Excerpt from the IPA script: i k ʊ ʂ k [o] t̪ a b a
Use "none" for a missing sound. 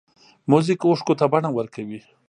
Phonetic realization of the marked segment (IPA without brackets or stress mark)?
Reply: o